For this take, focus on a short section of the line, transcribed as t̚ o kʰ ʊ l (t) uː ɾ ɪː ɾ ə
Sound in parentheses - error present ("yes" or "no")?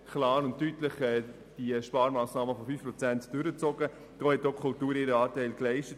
no